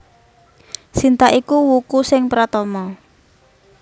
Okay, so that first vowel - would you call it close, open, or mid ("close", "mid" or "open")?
close